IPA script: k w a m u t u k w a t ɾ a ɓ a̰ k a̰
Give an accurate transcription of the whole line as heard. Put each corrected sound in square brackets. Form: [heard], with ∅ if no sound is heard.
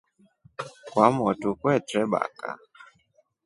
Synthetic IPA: k w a m [ɔ] t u k w [ɛ] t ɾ [ɛ] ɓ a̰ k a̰

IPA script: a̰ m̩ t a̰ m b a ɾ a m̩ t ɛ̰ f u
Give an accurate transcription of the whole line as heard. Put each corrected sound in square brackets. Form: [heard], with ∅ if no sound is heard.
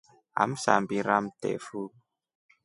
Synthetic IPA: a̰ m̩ [s] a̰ m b [i] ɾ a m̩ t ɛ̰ f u

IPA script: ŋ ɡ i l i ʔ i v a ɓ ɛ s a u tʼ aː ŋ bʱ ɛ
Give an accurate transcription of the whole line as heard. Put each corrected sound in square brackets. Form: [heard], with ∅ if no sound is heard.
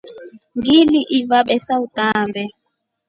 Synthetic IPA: ŋ ɡ i l i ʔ i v a ɓ ɛ s a u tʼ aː [m] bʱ ɛ

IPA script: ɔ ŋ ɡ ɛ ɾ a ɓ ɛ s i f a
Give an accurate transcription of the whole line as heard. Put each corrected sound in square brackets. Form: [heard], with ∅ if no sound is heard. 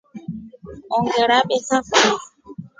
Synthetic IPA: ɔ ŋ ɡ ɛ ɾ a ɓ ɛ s [a] f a

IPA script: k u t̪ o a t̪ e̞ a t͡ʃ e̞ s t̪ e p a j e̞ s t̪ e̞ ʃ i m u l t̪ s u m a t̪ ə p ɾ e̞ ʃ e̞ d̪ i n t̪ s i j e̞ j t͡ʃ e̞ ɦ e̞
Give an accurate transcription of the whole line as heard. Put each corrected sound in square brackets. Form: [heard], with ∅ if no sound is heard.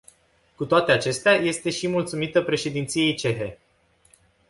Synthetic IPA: k u t̪ o a t̪ e̞ a t͡ʃ e̞ s t̪ e [∅] a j e̞ s t̪ e̞ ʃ i m u l t̪ s u m [i] t̪ ə p ɾ e̞ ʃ e̞ d̪ i n t̪ s i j e̞ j t͡ʃ e̞ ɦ e̞

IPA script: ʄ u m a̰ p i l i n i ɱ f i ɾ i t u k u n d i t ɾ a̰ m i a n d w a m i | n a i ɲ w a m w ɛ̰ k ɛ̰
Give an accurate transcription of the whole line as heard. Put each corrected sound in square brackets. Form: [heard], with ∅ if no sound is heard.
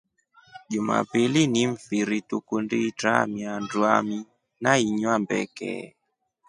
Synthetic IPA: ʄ u m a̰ p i l i n i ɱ f i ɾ i t u k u n d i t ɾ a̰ m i a n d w a m i | n a i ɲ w a m [b] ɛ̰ k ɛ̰

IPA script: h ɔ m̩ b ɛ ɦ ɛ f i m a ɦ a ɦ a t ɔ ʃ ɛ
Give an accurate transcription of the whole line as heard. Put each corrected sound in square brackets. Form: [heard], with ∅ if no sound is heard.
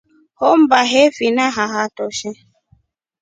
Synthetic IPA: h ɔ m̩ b [a] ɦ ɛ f i [n] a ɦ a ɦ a t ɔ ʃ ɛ

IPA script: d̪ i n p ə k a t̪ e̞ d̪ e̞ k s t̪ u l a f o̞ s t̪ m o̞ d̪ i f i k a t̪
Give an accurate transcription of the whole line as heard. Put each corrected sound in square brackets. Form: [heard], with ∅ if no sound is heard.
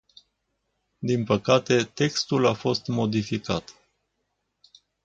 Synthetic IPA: d̪ i n p ə k a t̪ e̞ [t̪] e̞ k s t̪ u l a f o̞ s t̪ m o̞ d̪ i f i k a t̪

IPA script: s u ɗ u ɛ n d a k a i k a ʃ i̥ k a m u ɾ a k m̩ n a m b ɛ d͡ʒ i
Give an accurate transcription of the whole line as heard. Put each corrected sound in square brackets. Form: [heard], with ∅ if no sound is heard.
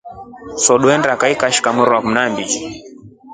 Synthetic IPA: s [ɔ] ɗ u ɛ n d a k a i k a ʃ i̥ k a m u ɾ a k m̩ n a m b [i] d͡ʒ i

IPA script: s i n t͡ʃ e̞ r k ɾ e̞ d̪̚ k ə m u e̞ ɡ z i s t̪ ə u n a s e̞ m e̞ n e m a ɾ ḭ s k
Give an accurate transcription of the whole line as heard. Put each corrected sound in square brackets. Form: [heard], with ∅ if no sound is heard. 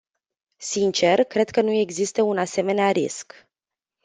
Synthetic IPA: s i n t͡ʃ e̞ r k ɾ e̞ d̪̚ k ə [n] u e̞ ɡ z i s t̪ ə u n a s e̞ m e̞ n e [∅] a ɾ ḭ s k

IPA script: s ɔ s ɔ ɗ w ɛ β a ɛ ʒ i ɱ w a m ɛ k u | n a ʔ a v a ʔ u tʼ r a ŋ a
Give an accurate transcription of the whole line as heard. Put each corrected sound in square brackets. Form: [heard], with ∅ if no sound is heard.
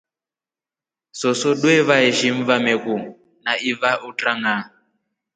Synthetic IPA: s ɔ s ɔ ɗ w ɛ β a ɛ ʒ i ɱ [v] a m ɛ k u | n a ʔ [i] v a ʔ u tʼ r a ŋ a

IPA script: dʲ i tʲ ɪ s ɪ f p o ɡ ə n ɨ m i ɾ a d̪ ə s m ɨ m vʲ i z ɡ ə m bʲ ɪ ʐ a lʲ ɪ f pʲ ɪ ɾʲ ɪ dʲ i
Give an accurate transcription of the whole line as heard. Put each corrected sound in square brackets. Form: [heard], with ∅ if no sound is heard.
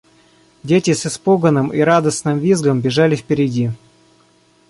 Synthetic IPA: dʲ [e] tʲ ɪ s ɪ [s] p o ɡ ə n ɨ m i ɾ a d̪ ə s [n] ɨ m vʲ i z ɡ ə m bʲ ɪ ʐ a lʲ ɪ f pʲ ɪ ɾʲ ɪ dʲ i

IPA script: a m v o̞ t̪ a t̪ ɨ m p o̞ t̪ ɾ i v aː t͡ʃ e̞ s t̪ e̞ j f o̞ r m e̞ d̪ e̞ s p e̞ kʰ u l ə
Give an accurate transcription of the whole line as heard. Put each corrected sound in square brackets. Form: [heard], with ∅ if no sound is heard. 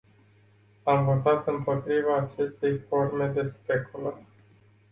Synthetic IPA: a m v o̞ t̪ a t̪ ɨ m p o̞ t̪ ɾ i v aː t͡ʃ e̞ s t̪ e̞ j f o̞ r m e̞ d̪ e̞ s p e̞ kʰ u l ə

